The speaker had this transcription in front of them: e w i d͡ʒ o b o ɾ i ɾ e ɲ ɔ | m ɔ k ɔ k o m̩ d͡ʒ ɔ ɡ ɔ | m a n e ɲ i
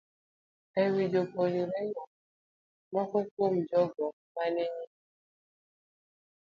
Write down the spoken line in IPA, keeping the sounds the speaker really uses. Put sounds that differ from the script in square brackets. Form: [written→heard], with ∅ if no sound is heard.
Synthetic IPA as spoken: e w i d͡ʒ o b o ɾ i ɾ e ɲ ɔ | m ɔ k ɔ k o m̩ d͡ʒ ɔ ɡ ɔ | m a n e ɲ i